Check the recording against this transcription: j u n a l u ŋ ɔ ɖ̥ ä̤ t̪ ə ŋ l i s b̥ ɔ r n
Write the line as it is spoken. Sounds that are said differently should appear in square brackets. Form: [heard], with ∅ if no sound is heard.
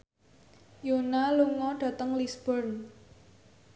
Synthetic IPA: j [o] n a l u ŋ ɔ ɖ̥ ä̤ t̪ ə ŋ l i s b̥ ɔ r n

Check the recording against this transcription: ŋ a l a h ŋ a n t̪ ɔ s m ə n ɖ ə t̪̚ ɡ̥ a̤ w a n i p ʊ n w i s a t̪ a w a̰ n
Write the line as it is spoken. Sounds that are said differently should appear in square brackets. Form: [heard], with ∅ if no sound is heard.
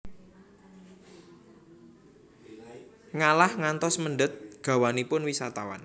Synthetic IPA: ŋ a l a h ŋ a n t̪ ɔ s m ə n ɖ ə t̪̚ ɡ̥ a̤ w a n i p ʊ n w i s a t̪ a w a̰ n

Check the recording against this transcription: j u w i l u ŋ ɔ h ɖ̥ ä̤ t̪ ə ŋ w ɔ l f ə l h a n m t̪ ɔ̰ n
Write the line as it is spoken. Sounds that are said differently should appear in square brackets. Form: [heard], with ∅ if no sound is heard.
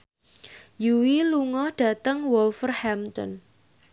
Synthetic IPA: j u w i l u ŋ ɔ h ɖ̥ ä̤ t̪ ə ŋ w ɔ l f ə [r] h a [∅] m t̪ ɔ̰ n

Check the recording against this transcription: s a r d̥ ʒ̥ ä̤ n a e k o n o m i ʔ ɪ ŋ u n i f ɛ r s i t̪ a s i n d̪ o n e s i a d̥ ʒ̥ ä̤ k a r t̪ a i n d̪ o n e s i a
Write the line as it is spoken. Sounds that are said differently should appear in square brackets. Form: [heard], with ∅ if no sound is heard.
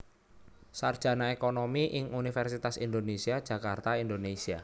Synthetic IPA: s a r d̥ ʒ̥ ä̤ n a e k o n o m i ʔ ɪ ŋ u n i f ɛ r s i t̪ a s i n d̪ o n e s i a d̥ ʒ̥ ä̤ k a r t̪ a i n d̪ o n e s i a

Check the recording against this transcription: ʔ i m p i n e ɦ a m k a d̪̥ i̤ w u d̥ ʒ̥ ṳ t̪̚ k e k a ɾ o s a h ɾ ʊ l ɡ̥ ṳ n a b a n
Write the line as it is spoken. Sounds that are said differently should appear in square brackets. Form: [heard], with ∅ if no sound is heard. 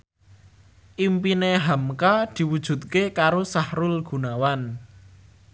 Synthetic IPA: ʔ i m p i n e ɦ a m k a d̪̥ i̤ w u d̥ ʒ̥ ṳ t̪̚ k e k a ɾ o s a h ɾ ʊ l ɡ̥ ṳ n a [w] a n

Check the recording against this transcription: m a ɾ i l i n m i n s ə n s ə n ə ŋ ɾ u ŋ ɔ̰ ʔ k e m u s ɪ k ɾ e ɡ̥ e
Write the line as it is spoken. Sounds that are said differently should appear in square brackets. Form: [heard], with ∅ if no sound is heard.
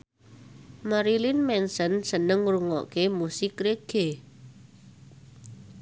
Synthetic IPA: m a ɾ i l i n m [ɛ] n s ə n s ə n ə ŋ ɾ u ŋ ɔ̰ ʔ k e m u s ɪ k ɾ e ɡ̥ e

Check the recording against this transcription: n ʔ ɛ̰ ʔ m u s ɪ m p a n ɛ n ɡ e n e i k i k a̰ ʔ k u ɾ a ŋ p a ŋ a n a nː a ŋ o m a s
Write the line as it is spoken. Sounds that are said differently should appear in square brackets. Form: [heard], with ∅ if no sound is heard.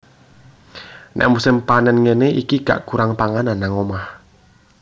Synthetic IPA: n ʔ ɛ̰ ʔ m u s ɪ m p a n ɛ n [ŋ] e n e i k i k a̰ ʔ k u ɾ a ŋ p a ŋ a n a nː a ŋ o m a [h]

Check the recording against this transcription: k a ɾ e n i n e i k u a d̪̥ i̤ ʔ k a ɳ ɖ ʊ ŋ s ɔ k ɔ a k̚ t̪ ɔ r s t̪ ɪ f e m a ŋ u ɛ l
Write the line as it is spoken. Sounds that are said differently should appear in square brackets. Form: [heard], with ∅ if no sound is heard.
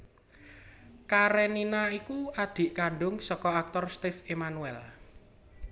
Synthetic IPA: k a ɾ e n i n [a] i k u a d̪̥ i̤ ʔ k a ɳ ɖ ʊ ŋ s ɔ k ɔ a k̚ t̪ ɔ r s t̪ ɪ f e m a [n] u ɛ l

